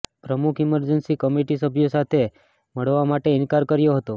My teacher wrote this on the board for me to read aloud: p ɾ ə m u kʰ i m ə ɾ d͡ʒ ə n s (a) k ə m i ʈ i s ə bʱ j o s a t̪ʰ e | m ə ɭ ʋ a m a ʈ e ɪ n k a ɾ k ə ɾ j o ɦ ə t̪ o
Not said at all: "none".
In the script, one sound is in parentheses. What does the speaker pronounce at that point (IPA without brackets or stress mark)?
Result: i